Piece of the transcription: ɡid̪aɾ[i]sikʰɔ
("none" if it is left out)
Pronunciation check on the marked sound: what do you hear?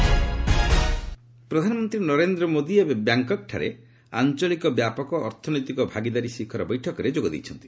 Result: i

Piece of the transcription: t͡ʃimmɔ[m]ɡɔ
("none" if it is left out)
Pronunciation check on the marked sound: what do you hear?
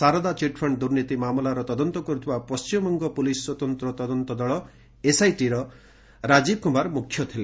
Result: ŋ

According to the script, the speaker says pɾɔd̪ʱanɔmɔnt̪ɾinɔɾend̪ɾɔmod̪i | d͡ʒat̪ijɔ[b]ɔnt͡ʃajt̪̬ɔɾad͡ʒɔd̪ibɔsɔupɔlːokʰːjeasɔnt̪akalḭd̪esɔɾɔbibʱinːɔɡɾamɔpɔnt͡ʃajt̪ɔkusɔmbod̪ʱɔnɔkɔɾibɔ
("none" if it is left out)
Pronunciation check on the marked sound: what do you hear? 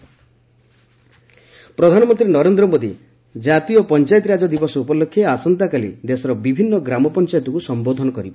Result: p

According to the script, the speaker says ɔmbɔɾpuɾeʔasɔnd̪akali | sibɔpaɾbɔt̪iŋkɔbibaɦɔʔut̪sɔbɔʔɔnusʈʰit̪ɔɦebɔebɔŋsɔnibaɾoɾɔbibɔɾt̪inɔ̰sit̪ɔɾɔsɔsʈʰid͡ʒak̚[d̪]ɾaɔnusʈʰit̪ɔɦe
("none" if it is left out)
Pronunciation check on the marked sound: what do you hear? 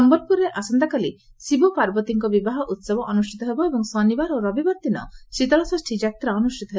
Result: t̪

